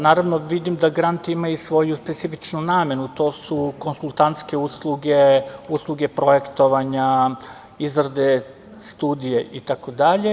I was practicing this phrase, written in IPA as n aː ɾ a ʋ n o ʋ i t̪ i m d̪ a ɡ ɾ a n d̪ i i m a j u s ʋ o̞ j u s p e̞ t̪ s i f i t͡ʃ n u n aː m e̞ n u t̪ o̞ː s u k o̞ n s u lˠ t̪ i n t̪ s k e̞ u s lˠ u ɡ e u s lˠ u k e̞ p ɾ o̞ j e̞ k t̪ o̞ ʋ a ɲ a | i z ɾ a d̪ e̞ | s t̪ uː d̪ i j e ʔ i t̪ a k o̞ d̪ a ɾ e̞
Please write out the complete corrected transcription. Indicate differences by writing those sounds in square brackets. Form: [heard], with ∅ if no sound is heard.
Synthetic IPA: n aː ɾ a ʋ n o ʋ i [d̪] i m d̪ a ɡ ɾ a n [t̪] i i m a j u s ʋ o̞ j u s p e̞ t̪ s i f i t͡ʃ n u n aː m e̞ n u t̪ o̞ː s u k o̞ n s u lˠ t̪ [a] n t̪ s k e̞ u s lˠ u ɡ e u s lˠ u [ɡ] e̞ p ɾ o̞ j e̞ k t̪ o̞ ʋ a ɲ a | i z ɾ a d̪ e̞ | s t̪ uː d̪ i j e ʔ i t̪ a k o̞ d̪ a [ʎ] e̞

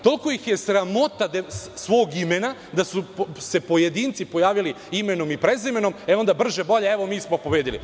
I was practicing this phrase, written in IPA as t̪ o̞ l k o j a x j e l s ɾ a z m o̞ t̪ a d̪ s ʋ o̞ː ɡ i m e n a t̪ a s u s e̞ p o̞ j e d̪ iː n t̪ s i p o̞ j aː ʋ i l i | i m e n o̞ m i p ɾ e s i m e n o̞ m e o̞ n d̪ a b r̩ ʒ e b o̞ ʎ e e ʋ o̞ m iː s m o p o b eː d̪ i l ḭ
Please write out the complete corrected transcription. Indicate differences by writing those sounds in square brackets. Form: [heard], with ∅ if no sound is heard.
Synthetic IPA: t̪ o̞ l k o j [i] x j e [∅] s ɾ a [∅] m o̞ t̪ a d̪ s ʋ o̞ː ɡ i m e n a [d̪] a s u s e̞ p o̞ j e d̪ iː n t̪ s i p o̞ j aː ʋ i l i | i m e n o̞ m i p ɾ e [z] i m e n o̞ m e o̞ n d̪ a b r̩ ʒ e b o̞ ʎ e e ʋ o̞ m iː s m o p o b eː d̪ i l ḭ

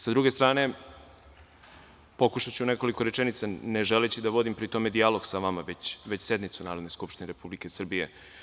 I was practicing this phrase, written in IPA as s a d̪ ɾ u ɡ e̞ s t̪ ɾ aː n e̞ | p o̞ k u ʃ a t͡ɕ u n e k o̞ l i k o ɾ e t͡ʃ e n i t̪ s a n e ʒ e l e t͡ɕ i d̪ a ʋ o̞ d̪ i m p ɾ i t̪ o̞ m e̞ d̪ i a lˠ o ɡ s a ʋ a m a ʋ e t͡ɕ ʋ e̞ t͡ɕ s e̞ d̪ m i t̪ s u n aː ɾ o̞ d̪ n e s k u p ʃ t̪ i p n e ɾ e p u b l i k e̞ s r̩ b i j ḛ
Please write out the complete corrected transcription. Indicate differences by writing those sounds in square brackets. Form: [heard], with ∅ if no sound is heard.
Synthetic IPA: s a d̪ ɾ u ɡ e̞ s t̪ ɾ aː n e̞ | p o̞ k u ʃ a t͡ɕ u n e k o̞ l i k o ɾ e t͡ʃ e n i t̪ s a n e ʒ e l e t͡ɕ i d̪ a ʋ o̞ d̪ i m p ɾ i t̪ o̞ m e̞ d̪ i a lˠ o ɡ s a ʋ a m a ʋ e t͡ɕ ʋ e̞ t͡ɕ s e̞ d̪ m i t̪ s u n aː ɾ o̞ d̪ n e s k u p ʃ t̪ i [∅] n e ɾ e p u b l i k e̞ s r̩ b i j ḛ

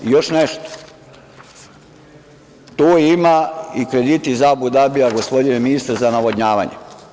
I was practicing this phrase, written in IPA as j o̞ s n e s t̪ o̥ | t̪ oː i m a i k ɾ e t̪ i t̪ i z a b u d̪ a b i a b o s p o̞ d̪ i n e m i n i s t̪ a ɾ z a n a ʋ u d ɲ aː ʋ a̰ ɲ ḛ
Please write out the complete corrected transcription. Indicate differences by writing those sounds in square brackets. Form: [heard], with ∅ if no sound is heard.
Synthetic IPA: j o̞ [ʃ] n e [ʃ] t̪ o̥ | t̪ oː i m a i k ɾ e [d̪] i t̪ i z a b u d̪ a b i a [ɡ] o s p o̞ d̪ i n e m i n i s t̪ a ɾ z a n a ʋ [o] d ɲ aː ʋ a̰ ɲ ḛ

